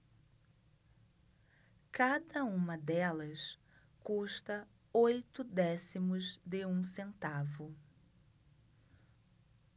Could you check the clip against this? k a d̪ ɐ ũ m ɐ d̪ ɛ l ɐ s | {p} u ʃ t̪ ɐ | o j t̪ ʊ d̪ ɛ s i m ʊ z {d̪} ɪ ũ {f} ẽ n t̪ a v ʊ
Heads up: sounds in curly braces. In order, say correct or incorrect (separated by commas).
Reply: incorrect, correct, incorrect